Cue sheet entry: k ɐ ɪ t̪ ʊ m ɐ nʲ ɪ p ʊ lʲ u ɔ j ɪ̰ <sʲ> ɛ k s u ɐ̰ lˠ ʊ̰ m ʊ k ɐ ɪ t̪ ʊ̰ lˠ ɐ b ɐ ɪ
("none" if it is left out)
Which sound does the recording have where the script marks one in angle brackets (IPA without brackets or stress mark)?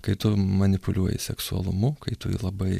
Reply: sʲ